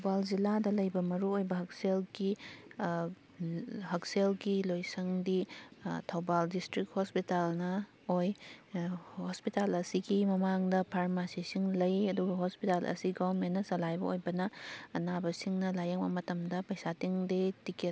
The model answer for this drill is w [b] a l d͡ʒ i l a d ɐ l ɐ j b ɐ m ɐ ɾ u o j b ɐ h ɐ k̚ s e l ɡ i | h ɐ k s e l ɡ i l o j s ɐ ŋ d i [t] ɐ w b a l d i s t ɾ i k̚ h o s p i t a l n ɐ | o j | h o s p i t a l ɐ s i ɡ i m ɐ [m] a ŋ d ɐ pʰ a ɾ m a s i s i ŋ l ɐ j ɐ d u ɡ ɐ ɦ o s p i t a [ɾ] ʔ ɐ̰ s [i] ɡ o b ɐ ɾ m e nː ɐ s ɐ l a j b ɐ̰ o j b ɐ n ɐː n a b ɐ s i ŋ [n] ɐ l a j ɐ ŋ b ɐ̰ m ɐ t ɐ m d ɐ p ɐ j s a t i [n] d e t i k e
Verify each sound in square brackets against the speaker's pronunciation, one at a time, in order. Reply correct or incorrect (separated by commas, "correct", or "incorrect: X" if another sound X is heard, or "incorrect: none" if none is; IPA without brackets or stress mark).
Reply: correct, incorrect: tʰ, correct, incorrect: l, correct, correct, incorrect: ŋ